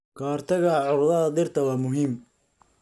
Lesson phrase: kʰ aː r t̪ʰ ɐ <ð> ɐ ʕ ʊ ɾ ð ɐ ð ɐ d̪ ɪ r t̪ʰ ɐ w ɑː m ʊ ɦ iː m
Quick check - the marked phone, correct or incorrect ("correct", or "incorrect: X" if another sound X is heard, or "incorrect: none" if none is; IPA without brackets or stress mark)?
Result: incorrect: ɣ